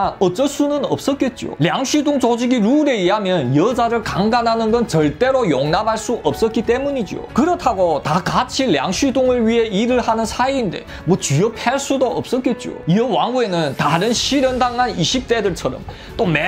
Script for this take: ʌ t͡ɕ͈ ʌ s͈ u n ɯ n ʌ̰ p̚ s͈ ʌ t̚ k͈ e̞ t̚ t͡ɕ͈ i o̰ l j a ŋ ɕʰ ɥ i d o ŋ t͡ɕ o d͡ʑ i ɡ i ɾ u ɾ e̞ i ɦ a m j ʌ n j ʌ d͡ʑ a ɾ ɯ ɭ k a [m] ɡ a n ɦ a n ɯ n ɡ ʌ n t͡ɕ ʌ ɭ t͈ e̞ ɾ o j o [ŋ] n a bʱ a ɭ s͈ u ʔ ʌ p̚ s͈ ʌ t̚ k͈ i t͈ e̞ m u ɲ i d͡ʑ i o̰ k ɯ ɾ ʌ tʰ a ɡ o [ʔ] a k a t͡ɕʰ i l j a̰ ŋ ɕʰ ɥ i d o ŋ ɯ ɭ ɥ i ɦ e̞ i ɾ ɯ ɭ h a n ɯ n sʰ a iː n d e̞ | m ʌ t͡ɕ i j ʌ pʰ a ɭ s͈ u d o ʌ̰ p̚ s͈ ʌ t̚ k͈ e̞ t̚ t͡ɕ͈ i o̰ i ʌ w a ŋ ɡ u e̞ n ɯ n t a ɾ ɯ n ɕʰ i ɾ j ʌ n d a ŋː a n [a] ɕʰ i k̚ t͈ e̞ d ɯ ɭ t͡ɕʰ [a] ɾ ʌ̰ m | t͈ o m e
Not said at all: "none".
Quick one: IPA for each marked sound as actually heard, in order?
ŋ, ŋ, t, i, ʌ

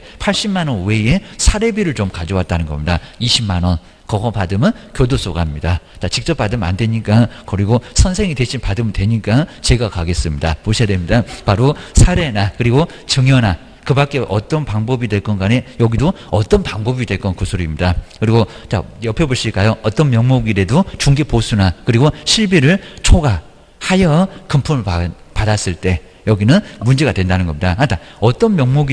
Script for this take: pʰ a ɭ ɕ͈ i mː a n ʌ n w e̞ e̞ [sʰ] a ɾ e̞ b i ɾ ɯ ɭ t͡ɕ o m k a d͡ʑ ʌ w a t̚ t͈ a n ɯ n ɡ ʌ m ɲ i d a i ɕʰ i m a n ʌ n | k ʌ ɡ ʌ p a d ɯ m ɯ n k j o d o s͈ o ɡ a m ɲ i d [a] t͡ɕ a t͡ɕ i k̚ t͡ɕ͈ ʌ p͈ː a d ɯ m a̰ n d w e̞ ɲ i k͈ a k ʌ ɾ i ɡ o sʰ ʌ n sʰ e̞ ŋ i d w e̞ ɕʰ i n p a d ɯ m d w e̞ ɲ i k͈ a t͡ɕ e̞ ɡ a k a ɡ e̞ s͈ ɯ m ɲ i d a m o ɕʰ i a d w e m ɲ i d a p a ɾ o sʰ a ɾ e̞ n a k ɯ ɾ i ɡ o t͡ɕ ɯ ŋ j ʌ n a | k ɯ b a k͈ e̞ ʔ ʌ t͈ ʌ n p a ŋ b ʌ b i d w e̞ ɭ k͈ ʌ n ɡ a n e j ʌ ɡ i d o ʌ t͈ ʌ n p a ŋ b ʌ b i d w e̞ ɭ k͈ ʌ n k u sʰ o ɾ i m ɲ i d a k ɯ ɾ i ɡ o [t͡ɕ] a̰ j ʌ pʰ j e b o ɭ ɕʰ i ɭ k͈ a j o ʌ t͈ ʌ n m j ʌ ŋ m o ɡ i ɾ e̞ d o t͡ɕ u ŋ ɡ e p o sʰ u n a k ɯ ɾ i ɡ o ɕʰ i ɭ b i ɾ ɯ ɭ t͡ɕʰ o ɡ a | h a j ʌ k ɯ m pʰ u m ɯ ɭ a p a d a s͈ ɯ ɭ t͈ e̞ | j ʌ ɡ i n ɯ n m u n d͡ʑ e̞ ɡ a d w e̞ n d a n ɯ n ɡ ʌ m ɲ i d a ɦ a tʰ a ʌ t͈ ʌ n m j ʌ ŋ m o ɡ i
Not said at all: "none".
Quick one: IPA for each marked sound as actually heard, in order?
sʰ, a, t͡ɕ

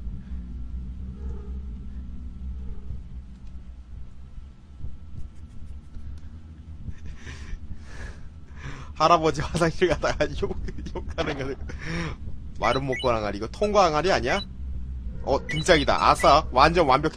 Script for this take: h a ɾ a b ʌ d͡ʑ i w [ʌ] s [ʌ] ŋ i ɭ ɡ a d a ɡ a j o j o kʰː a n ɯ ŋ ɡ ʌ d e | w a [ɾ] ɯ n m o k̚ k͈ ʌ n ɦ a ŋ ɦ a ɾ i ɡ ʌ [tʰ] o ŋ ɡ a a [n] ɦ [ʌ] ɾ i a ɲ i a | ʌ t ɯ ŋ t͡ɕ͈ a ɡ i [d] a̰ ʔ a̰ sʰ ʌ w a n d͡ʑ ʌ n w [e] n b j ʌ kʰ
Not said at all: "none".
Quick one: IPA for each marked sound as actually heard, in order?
a, a, ɾ, tʰ, ŋ, a, d, a

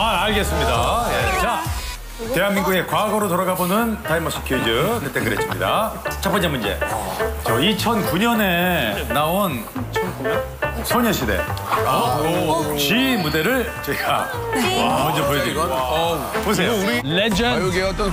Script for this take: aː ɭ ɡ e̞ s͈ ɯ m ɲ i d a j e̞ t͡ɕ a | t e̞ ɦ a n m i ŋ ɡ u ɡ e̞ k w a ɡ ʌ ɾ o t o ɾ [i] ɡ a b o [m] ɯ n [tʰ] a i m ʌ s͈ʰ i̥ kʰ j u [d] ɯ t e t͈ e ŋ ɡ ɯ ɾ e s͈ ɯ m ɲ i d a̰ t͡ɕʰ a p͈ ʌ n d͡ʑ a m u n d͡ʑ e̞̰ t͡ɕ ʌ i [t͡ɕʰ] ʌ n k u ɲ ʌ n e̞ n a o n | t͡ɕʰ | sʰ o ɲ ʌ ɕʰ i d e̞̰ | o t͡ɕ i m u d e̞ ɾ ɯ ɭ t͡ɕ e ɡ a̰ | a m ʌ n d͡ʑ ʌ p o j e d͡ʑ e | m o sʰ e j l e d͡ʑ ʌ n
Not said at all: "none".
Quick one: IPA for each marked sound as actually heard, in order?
a, n, t, d͡ʑ, t͡ɕʰ

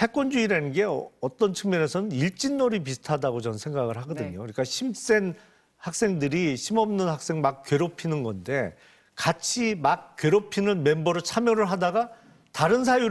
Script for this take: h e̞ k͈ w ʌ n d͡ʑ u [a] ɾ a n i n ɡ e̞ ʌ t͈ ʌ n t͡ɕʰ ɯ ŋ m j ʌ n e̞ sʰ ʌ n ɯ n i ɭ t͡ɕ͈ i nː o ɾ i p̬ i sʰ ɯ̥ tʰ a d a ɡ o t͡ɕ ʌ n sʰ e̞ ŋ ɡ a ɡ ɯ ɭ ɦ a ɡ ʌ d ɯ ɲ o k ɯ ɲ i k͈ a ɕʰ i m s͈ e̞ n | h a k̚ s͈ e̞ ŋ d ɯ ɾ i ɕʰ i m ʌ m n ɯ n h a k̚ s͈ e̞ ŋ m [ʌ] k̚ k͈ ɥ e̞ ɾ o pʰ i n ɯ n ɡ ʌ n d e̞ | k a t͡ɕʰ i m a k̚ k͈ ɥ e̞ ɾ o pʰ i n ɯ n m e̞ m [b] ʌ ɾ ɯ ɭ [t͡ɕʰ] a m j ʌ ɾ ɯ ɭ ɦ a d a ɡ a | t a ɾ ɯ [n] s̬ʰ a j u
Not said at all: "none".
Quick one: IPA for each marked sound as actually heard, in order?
i, a, b, t͡ɕʰ, n

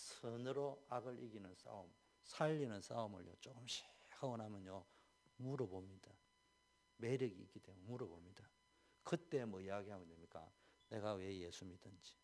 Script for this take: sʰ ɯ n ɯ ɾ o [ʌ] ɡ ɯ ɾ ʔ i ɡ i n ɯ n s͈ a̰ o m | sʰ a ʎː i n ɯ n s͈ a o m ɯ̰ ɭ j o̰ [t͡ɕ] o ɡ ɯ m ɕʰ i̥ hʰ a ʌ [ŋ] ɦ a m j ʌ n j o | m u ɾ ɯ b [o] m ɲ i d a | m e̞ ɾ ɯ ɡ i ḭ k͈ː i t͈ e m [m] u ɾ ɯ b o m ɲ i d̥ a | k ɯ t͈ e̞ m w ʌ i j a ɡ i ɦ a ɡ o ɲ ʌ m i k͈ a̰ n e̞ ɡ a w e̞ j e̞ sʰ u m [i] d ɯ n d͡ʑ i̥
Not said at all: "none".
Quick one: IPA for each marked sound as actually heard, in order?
a, t͡ɕ, n, o, m, i

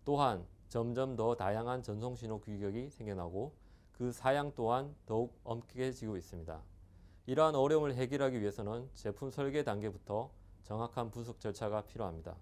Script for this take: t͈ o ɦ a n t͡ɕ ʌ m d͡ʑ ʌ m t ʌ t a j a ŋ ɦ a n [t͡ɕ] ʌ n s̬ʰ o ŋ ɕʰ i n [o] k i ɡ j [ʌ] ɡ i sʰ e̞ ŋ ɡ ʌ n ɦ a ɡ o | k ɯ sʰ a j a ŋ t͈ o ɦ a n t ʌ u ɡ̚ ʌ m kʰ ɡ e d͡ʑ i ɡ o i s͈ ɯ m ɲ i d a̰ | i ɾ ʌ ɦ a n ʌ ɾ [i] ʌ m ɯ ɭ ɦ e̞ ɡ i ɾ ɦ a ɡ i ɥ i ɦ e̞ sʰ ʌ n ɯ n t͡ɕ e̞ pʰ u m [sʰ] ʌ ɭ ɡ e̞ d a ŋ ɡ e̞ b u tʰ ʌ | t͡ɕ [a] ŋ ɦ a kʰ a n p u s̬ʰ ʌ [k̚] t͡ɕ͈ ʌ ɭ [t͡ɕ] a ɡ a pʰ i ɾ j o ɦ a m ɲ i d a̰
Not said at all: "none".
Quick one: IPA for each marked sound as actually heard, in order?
t͡ɕ, o, ʌ, j, sʰ, ʌ, k̚, t͡ɕʰ

